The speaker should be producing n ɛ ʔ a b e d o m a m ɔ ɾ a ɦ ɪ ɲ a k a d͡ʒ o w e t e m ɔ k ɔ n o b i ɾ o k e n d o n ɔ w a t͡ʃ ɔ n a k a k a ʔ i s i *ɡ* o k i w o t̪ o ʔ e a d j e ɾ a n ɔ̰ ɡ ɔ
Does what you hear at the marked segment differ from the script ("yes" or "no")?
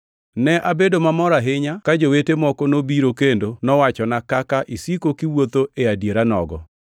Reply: yes